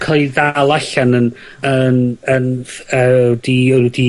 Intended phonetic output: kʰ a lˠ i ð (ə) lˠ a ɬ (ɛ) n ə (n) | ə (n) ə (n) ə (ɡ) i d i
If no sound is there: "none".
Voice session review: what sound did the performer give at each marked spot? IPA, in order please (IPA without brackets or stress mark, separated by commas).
a, a, n, n, n, d